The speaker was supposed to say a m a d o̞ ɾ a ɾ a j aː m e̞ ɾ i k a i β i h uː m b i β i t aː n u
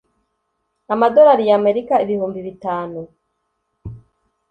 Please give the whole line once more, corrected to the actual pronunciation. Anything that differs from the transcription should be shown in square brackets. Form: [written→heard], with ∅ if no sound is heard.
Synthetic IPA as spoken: a m a d o̞ ɾ a ɾ [a→i] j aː m e̞ ɾ i k a i β i h uː m b i β i t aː n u